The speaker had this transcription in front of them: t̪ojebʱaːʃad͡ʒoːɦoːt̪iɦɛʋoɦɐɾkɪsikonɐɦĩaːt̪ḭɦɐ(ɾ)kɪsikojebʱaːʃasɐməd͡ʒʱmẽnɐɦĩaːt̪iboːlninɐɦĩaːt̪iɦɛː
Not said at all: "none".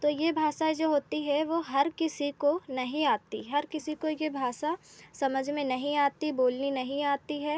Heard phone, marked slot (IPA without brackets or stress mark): ɾ